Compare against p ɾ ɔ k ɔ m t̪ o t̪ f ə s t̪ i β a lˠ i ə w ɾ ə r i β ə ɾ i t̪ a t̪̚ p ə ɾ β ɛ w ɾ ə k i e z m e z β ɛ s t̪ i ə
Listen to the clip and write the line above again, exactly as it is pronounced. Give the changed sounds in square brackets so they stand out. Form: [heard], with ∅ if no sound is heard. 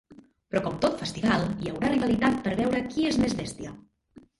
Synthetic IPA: p ɾ ɔ k ɔ m t̪ o t̪ f ə s t̪ i β a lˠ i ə w ɾ [a] r i β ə [l] i t̪ a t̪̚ p ə ɾ β ɛ w ɾ ə k i e z m e z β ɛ s t̪ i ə